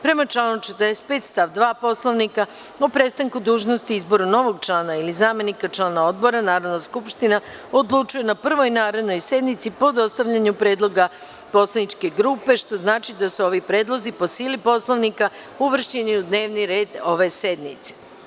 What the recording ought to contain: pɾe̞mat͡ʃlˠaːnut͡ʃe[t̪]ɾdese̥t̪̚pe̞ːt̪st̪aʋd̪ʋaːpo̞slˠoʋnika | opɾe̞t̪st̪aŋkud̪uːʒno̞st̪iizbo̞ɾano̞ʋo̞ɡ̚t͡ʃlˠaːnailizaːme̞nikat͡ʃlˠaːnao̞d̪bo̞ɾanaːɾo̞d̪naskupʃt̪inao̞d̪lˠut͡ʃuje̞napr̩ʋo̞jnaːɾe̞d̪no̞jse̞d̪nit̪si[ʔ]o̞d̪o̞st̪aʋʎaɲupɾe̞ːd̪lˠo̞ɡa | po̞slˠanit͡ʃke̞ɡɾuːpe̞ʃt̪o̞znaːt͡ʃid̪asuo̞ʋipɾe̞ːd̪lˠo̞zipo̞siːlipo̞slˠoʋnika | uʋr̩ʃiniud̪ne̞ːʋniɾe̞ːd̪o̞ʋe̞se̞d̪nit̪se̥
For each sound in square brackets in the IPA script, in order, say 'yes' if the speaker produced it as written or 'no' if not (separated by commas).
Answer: yes, no